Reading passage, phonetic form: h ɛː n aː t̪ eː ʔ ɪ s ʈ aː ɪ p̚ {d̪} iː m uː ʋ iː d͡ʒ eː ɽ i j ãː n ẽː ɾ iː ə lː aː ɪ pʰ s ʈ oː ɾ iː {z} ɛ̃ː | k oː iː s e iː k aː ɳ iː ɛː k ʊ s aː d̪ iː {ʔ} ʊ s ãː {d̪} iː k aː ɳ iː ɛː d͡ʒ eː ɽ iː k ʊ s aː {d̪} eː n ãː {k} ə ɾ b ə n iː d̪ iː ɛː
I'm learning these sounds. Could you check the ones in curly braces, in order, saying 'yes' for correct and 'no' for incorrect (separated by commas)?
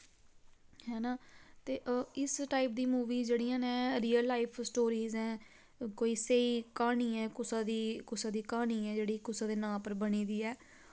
yes, yes, no, yes, yes, no